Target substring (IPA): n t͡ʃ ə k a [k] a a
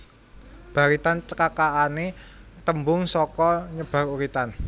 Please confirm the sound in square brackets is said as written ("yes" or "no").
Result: yes